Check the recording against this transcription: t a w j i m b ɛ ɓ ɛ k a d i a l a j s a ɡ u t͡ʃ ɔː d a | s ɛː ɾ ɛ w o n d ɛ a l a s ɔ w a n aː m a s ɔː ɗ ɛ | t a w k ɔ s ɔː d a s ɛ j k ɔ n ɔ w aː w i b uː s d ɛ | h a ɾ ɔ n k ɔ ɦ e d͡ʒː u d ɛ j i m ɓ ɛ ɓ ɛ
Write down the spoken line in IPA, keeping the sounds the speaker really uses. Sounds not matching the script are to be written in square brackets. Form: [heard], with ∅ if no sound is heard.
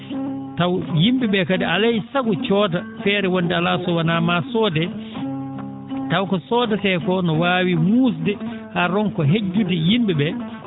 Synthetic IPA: t a w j i m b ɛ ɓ ɛ k a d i a l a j s a ɡ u t͡ʃ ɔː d a | [f] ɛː ɾ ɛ w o n d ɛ a l a s ɔ w a n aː m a s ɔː [d] ɛ | t a w k ɔ s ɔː d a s ɛ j k ɔ n ɔ w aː w i [m] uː s d ɛ | h a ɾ ɔ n k ɔ ɦ e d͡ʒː u d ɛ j i m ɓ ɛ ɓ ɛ